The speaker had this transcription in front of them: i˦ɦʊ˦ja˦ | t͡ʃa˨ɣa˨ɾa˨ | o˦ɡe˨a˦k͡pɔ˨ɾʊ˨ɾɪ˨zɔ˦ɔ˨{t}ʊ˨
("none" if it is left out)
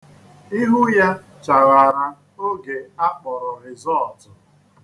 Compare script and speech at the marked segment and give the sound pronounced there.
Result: t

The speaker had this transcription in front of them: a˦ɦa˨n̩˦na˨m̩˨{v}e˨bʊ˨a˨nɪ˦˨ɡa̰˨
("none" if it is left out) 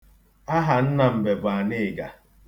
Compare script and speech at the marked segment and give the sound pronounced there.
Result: b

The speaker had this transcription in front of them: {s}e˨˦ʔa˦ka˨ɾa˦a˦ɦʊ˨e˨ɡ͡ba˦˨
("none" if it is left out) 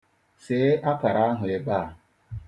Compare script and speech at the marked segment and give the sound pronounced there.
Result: s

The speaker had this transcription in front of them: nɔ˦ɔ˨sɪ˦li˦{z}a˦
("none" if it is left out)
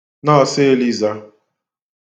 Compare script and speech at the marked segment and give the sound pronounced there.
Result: z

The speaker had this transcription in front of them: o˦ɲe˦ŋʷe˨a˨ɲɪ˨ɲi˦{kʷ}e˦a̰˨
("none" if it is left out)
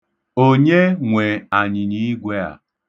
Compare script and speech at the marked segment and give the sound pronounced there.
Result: ɡʷ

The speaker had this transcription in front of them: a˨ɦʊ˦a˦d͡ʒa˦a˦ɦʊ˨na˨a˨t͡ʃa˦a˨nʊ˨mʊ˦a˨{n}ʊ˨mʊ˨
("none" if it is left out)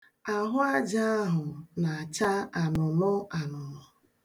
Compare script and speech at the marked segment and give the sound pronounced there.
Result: n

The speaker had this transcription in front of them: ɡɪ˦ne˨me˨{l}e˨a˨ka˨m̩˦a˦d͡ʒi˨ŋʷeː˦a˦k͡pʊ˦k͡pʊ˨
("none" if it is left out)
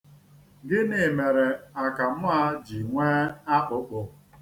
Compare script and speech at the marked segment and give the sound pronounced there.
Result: ɾ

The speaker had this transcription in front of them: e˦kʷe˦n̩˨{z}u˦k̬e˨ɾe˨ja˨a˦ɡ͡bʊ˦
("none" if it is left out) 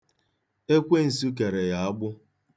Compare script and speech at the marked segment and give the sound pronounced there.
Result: s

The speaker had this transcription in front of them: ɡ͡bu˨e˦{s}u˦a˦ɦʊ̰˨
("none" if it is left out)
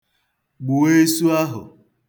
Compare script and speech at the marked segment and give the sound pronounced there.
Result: s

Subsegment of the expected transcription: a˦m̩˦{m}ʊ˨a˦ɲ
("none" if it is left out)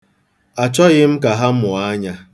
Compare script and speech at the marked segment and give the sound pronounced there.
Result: m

